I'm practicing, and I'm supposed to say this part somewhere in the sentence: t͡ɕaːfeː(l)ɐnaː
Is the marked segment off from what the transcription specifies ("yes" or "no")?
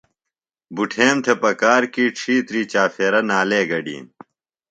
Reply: yes